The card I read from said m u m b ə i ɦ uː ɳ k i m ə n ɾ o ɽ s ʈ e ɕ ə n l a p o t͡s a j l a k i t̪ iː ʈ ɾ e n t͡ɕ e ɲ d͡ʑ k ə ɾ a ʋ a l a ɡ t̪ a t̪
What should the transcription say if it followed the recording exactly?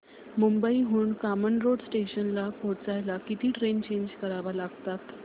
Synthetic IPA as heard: m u m b ə i ɦ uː ɳ k a m ə n ɾ o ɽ s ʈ e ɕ ə n l a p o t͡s a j l a k i t̪ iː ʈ ɾ e n t͡ɕ e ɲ d͡ʑ k ə ɾ a ʋ a l a ɡ t̪ a t̪

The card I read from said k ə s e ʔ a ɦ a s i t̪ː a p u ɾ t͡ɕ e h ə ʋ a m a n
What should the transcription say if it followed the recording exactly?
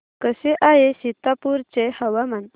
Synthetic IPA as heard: k ə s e ʔ a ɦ e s i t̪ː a p u ɾ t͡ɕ e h ə ʋ a m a n

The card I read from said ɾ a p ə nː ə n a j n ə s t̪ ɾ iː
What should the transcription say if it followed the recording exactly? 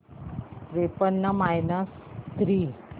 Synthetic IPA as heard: ɾ e p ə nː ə m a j n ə s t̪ ɾ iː

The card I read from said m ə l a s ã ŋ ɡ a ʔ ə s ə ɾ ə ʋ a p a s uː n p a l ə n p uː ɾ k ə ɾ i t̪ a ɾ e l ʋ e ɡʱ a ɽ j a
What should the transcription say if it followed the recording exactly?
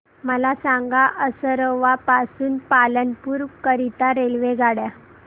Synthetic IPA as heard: m ə l a s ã ŋ ɡ a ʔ ə s ə ɾ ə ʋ a p a s uː n p a l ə n p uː ɾ k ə ɾ i t̪ a ɾ e l ʋ e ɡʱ a ɽ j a

